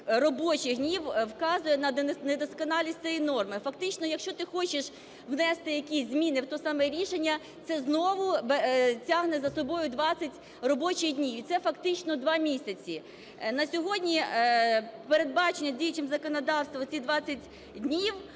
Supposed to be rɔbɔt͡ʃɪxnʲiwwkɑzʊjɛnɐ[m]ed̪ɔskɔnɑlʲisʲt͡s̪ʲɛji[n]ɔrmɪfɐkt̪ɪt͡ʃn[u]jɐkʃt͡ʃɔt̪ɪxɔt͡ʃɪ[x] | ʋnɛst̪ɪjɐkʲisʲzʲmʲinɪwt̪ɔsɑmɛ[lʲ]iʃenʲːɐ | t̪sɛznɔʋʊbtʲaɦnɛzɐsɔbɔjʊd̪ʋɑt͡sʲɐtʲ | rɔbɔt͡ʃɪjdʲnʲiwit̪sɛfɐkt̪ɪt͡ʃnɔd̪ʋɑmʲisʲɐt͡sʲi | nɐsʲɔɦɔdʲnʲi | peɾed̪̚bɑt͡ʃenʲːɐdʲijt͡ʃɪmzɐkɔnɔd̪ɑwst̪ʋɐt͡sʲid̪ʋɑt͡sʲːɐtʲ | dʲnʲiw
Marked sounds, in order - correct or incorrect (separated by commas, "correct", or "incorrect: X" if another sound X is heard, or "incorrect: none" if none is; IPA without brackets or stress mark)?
incorrect: n, correct, incorrect: ɔ, incorrect: ʃ, incorrect: ɾʲ